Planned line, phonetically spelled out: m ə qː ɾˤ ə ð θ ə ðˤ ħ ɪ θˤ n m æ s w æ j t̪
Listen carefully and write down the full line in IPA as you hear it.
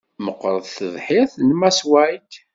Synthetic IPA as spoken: m ə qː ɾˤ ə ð θ ə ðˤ ħ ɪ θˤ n m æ s w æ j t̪

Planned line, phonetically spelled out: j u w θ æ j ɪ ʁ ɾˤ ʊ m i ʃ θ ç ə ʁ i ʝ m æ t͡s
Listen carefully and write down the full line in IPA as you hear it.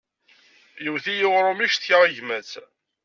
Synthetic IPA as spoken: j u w θ i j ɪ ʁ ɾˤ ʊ m i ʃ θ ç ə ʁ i ʝ m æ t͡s

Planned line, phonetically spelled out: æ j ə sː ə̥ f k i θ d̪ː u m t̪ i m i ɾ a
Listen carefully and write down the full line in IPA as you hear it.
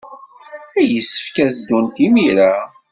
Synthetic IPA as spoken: æ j ə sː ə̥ f k æ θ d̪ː u n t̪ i m i ɾ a

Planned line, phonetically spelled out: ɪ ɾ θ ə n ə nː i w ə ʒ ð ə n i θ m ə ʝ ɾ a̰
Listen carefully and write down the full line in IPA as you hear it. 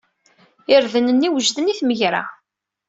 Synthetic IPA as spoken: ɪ ɾ ð ə n ə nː i w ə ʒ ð ə n i θ m ə ʝ ɾ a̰

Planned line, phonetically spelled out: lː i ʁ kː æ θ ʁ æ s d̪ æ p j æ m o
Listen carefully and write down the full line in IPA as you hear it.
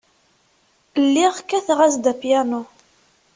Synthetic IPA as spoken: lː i ʁ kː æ θ ʁ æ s d̪ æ p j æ n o

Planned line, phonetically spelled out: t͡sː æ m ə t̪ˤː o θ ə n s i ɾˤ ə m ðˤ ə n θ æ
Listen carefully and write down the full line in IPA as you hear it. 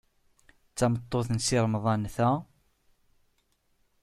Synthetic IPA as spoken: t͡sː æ m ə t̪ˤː o θ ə n s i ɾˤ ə m ðˤ ɑ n θ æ

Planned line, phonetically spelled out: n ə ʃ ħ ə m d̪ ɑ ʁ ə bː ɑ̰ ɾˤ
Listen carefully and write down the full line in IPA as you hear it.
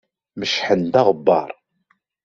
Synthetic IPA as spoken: m ə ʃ ħ ə n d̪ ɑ ʁ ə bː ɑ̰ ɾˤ

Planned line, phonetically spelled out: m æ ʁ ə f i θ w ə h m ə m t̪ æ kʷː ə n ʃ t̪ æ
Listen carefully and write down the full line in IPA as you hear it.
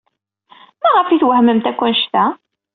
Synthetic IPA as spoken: m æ ʁ ə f i θ w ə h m ə m t̪ æ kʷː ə n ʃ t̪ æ

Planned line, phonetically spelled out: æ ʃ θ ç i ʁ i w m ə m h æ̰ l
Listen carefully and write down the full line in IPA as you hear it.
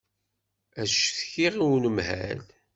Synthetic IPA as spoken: æ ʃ θ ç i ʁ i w n ə m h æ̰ l

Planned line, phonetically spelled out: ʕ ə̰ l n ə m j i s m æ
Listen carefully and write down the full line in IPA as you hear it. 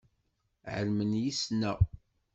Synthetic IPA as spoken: ʕ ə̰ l m ə n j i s n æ

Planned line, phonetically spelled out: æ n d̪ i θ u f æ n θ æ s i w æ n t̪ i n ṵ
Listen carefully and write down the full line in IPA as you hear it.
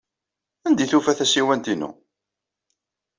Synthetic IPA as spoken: æ n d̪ i θ u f æ θ æ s i w æ n t̪ i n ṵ

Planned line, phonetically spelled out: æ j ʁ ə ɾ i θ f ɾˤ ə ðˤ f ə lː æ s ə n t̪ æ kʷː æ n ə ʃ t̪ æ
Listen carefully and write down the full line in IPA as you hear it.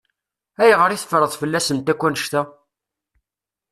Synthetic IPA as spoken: æ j ʁ ə ɾ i θ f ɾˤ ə ðˤ f ə lː æ s ə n t̪ æ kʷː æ n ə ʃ t̪ æ

